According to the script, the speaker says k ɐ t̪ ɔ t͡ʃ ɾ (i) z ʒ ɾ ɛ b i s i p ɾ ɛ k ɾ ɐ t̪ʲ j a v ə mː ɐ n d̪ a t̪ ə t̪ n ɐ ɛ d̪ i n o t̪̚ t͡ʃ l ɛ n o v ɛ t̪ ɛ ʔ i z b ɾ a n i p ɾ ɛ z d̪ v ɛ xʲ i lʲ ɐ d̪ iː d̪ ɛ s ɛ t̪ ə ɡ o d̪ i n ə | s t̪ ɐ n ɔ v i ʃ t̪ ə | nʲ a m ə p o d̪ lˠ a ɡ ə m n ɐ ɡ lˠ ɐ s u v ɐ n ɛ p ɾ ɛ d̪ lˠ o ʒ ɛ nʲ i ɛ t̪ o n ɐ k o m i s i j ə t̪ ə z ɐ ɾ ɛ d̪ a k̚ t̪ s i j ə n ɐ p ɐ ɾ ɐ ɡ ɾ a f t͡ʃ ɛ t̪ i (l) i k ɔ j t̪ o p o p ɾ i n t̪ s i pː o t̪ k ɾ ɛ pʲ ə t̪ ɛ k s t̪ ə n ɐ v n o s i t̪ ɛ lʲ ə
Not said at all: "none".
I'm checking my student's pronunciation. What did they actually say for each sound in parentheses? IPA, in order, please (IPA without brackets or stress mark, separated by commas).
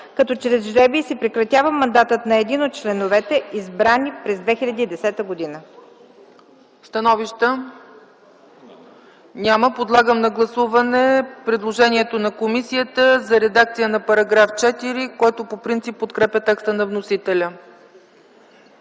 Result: ɛ, ɾ